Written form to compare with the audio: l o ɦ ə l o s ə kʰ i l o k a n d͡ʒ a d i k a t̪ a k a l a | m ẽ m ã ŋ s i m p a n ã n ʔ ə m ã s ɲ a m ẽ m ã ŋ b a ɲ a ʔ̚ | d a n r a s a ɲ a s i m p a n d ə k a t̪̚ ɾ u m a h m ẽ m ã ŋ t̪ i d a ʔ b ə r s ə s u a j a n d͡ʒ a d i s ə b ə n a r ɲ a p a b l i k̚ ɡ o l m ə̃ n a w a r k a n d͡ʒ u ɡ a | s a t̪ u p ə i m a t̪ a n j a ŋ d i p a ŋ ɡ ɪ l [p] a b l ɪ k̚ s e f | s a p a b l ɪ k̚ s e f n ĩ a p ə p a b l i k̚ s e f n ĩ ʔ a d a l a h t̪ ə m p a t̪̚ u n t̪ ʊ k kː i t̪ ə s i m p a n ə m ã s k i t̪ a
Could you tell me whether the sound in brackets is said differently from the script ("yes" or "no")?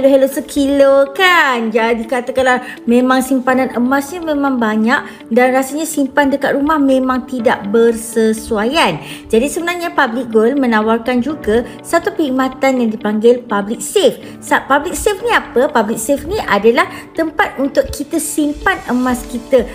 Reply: no